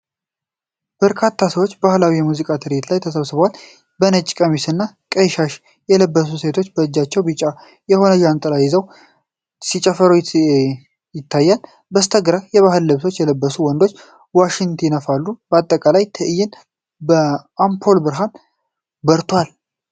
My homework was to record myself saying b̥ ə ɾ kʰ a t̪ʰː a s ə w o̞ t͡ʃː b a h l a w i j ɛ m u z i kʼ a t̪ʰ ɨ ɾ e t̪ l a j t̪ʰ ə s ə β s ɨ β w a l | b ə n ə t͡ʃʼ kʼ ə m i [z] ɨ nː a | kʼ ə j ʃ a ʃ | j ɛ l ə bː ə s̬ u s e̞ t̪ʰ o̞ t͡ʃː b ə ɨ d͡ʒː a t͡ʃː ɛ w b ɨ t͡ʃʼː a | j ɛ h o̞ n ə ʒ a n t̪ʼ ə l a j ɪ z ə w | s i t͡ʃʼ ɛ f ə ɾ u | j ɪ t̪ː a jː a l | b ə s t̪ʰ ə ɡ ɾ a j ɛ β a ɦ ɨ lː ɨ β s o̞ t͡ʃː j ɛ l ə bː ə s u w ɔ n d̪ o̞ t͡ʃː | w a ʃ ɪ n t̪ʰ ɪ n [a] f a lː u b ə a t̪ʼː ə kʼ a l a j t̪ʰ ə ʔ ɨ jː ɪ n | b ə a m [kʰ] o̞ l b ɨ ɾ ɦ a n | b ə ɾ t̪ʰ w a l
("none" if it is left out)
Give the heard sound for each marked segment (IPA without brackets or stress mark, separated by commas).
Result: s, ə, pʰ